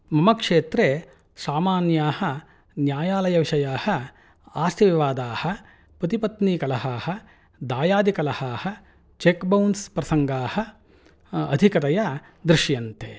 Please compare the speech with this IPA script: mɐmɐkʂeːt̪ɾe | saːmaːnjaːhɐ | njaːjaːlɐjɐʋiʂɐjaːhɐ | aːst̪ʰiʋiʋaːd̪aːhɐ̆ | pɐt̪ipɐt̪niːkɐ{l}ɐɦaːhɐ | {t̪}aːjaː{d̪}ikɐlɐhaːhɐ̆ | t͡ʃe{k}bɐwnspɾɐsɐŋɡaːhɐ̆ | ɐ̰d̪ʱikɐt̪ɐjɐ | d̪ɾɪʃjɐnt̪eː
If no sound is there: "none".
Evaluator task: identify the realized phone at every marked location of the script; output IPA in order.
l, d̪, d̪, k

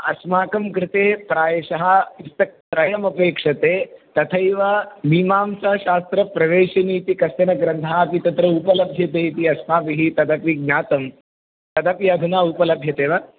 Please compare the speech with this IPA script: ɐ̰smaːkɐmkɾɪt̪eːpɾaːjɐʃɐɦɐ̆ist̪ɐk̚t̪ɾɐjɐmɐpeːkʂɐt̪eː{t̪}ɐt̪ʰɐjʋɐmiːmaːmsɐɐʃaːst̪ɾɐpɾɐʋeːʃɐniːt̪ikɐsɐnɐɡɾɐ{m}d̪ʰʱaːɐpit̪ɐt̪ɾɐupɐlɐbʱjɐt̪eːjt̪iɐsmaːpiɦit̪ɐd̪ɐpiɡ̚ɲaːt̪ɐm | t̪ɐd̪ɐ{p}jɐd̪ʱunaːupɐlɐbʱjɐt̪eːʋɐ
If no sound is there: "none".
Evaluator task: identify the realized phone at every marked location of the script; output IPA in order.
t̪, n, p

